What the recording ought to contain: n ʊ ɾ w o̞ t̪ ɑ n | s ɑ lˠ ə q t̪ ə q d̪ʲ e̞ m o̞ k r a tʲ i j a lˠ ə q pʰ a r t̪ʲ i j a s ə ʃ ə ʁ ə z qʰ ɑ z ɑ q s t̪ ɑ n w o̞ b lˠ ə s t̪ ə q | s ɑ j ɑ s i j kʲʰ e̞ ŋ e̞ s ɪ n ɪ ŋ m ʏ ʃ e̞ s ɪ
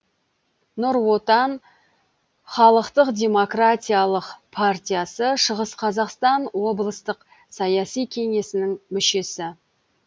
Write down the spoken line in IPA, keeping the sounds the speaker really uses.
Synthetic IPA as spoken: n ʊ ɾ w o̞ t̪ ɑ n | χ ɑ lˠ ə q t̪ ə q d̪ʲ e̞ m o̞ k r a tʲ i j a lˠ ə q pʰ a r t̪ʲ i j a s ə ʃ ə ʁ ə s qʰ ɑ z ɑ q s t̪ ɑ n w o̞ b lˠ ə s t̪ ə q | s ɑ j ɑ s i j kʲʰ e̞ ŋ e̞ s ɪ n ɪ ŋ m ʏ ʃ e̞ s ɪ

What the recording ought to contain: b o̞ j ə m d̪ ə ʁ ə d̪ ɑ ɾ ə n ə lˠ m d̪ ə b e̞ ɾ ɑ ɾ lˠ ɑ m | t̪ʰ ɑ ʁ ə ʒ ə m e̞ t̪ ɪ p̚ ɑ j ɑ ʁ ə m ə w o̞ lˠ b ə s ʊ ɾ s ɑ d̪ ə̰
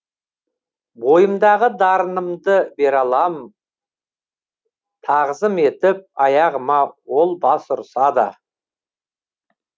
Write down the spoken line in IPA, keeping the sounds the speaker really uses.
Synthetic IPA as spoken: b o̞ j ə m d̪ ɑ ʁ ə d̪ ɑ ɾ ə n ə m d̪ ə b e̞ ɾ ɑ lˠ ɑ m | t̪ʰ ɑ ʁ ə z ə m e̞ t̪ ɪ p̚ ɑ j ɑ ʁ ə m ɑ w o̞ lˠ b ɑ s ʊ ɾ s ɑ d̪ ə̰

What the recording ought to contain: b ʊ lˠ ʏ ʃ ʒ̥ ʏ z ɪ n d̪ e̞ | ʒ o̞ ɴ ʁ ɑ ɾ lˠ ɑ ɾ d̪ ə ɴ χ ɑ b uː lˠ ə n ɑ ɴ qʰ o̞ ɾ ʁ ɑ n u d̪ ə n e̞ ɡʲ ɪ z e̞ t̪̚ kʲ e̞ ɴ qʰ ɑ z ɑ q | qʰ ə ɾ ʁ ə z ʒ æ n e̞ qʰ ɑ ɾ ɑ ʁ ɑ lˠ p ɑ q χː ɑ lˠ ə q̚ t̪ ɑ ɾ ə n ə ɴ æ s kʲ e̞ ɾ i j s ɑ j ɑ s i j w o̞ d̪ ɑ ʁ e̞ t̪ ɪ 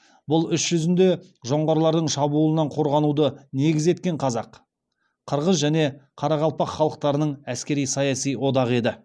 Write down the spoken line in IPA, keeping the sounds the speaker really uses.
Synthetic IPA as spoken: b ʊ lˠ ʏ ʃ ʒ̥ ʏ z ɪ n d̪ e̞ | ʒ o̞ ɴ ʁ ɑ ɾ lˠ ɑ ɾ d̪ ə ɴ ʃ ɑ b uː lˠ ə n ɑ ɴ qʰ o̞ ɾ ʁ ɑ n u d̪ ə n e̞ ɡʲ ɪ z e̞ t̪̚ kʲ e̞ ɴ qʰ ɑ z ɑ q | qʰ ə ɾ ʁ ə z ʒ æ n e̞ qʰ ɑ ɾ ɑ ʁ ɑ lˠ p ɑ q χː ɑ lˠ ə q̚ t̪ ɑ ɾ ə n ə ɴ æ s kʲ e̞ ɾ i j s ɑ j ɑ s i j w o̞ d̪ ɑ ʁ e̞ d̪ ɪ

